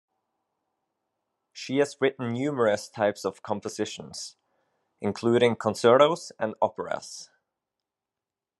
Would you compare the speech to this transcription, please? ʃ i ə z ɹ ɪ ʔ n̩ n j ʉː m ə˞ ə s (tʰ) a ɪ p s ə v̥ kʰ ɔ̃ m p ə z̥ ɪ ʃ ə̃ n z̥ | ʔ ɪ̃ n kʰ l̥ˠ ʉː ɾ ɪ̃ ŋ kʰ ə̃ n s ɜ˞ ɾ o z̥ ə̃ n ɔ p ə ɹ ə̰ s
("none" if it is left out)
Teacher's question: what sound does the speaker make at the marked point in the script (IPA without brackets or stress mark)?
tʰ